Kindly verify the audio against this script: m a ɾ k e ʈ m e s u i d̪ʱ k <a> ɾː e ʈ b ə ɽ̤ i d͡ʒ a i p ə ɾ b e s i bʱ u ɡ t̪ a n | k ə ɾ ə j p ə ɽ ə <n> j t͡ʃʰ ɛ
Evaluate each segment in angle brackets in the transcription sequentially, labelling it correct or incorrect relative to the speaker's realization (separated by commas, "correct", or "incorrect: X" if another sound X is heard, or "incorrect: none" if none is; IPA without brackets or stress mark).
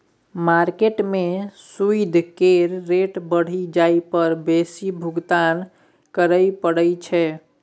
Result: incorrect: e, incorrect: none